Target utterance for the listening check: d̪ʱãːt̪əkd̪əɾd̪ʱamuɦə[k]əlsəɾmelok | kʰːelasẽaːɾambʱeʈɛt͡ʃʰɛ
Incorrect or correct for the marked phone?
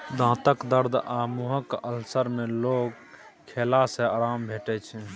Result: correct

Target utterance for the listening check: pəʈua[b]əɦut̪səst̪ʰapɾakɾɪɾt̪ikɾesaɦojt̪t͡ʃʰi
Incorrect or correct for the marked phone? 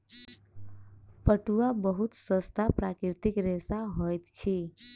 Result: correct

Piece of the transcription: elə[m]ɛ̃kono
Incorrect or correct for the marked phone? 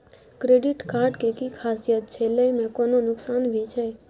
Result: correct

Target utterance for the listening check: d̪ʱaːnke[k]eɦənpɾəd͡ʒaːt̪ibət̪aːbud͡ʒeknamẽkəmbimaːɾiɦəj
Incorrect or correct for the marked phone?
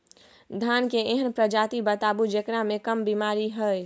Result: incorrect: none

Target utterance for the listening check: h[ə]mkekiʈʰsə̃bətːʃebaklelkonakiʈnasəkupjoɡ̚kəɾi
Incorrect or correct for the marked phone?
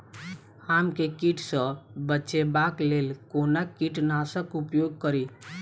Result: incorrect: a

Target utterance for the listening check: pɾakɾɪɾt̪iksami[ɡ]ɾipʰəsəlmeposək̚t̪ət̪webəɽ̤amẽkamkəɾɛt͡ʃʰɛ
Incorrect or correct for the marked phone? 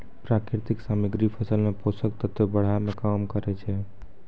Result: correct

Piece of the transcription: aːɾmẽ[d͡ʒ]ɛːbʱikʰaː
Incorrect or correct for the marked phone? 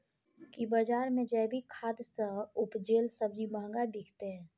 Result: correct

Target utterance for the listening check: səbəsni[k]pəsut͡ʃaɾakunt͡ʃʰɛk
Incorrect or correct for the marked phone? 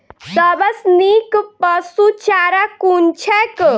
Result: correct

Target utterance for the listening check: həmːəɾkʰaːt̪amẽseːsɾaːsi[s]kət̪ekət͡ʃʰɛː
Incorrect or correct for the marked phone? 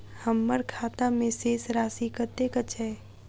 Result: incorrect: none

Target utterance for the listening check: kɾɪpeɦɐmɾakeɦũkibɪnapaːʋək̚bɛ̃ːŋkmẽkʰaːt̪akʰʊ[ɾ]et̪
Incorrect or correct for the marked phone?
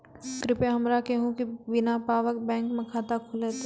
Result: incorrect: l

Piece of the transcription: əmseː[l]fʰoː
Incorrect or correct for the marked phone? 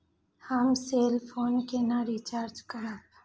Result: correct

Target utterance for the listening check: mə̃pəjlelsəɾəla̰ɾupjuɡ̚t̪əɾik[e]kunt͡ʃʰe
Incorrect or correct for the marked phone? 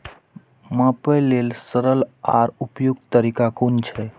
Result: incorrect: a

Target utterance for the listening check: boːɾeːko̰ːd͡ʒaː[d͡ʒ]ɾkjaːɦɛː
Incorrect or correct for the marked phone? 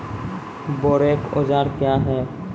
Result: incorrect: none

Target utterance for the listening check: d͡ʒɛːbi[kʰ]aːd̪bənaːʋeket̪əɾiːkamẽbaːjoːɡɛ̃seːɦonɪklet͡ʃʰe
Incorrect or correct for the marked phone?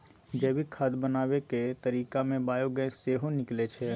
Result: correct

